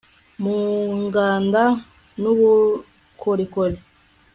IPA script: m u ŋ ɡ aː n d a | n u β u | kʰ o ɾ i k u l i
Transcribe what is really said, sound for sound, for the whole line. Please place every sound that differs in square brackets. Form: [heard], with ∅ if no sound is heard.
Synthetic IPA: m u ŋ ɡ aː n d a | n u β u | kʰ o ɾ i k [o] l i